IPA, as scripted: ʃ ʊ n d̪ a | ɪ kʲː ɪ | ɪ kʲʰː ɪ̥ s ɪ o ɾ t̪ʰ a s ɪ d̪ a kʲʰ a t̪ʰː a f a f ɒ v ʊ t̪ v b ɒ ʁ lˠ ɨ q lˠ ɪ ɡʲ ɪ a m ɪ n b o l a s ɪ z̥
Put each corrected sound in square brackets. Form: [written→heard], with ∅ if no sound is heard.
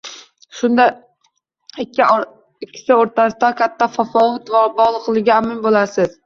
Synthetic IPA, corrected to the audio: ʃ ʊ n d̪ a | ɪ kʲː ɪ | ɪ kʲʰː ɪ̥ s ɪ o ɾ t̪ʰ a s ɪ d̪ a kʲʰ a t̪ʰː a f a f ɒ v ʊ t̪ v b ɒ ʁ lˠ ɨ q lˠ ɪ ɡʲ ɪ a m ɪ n b o l a s ɪ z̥